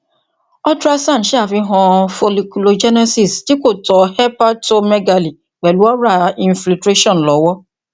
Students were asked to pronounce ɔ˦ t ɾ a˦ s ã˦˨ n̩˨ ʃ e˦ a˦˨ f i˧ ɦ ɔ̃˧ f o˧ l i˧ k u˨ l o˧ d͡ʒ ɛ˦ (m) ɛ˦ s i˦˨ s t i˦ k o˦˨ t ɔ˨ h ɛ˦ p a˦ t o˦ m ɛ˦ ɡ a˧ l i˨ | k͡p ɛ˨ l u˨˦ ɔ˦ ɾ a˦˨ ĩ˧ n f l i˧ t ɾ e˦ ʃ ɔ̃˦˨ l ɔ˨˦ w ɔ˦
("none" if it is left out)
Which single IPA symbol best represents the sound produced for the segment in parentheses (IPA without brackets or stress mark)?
n